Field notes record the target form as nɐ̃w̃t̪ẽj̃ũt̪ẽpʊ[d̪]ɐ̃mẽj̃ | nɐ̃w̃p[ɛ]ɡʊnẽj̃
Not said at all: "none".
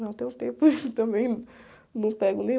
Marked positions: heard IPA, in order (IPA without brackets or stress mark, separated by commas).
t̪, ɛ